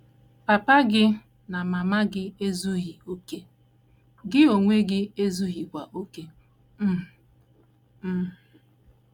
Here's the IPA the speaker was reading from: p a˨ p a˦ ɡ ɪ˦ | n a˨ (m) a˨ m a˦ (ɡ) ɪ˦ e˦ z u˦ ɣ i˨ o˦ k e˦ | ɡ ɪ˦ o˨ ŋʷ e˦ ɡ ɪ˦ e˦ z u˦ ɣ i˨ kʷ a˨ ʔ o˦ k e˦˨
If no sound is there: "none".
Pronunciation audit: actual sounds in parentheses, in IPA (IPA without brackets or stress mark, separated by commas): m, ɡ